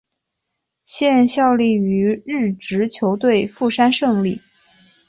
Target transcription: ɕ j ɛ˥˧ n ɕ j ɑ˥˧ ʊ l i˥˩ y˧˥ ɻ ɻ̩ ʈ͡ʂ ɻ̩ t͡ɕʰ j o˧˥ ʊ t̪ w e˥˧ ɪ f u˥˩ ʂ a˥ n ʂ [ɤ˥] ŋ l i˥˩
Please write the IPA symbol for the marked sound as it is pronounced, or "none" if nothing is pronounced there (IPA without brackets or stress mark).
ɤ˥˧